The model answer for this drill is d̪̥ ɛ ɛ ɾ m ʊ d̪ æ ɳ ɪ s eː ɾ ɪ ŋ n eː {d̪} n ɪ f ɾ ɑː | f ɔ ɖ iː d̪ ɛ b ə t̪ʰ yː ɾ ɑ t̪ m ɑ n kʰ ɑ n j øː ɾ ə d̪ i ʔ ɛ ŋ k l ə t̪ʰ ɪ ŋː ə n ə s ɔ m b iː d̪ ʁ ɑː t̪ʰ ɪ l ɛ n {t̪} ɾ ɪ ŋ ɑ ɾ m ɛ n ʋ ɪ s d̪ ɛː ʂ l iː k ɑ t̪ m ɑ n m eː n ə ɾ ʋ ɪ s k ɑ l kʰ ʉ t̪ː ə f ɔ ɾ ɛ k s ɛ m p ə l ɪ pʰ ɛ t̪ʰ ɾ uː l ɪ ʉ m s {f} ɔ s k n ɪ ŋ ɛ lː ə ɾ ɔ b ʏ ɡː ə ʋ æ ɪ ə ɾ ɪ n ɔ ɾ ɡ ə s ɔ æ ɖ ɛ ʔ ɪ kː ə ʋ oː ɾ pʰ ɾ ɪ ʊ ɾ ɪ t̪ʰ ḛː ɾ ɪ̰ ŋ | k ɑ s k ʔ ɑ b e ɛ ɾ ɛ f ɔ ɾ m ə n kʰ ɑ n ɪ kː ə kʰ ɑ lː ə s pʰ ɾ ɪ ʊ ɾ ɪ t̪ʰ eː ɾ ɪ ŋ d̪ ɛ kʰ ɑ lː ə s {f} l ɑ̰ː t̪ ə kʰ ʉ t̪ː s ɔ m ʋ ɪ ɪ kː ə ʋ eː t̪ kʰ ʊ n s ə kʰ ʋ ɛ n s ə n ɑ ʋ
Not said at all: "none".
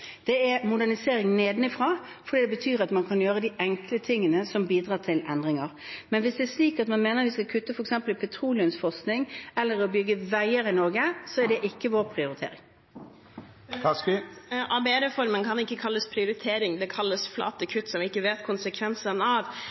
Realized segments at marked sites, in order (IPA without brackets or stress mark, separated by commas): d̪, d̪, f, f